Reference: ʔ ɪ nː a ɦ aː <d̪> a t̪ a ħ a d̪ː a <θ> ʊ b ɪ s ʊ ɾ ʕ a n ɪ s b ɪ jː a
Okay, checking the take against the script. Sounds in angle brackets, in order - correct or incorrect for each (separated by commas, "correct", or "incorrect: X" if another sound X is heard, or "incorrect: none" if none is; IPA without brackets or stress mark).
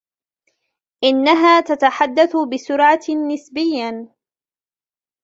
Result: incorrect: t̪, correct